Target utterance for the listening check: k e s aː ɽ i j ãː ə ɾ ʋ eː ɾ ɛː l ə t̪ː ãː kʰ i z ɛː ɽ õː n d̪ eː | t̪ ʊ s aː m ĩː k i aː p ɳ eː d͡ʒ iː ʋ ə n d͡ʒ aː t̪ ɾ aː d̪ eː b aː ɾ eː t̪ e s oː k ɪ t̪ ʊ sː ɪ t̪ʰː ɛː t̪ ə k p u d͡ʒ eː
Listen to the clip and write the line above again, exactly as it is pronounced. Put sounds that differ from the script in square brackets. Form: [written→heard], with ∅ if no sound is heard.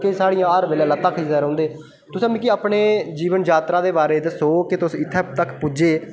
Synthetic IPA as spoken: k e s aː ɽ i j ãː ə ɾ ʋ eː [ɾ→l] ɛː l ə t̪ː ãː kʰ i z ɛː [ɽ→ɾ] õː n d̪ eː | t̪ ʊ s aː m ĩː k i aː p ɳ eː d͡ʒ iː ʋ ə n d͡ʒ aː t̪ ɾ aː d̪ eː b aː ɾ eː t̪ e s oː k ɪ t̪ ʊ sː ɪ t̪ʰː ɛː t̪ ə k p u d͡ʒ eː